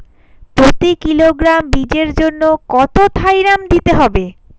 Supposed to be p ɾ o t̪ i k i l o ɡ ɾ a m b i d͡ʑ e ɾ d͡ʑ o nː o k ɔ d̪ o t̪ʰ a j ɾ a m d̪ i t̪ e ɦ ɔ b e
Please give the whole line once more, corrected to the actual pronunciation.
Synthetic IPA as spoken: p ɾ o t̪ i k i l o ɡ ɾ a m b i d͡ʑ e ɾ d͡ʑ o nː o k ɔ t̪ o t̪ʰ a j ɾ a m d̪ i t̪ e ɦ ɔ b e